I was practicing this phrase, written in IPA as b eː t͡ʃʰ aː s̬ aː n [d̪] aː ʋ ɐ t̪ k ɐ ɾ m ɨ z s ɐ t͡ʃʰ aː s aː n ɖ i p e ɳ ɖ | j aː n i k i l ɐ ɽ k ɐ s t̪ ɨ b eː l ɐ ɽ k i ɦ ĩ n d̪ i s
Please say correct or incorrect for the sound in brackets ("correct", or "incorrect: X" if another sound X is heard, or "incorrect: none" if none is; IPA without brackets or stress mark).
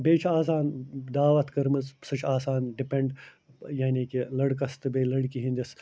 correct